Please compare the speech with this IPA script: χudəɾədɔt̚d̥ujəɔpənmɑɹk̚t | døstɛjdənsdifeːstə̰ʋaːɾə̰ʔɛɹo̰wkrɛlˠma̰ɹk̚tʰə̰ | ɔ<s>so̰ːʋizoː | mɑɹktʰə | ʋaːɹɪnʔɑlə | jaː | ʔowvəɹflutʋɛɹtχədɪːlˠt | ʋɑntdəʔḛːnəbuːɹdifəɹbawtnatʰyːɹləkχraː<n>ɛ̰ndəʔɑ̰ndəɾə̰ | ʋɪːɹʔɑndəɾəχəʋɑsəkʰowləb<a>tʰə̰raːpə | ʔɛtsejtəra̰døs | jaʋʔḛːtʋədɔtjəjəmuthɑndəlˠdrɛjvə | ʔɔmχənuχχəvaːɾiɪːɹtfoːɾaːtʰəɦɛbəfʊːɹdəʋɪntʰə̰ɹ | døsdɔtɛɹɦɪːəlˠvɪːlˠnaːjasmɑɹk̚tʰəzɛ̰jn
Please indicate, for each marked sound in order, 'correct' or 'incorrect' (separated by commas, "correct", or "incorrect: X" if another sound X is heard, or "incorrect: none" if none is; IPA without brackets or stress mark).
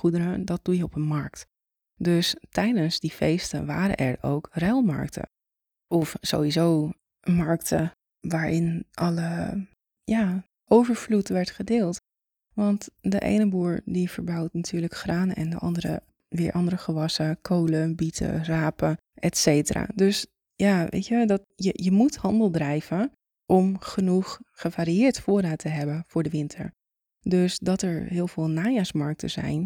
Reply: incorrect: f, correct, incorrect: i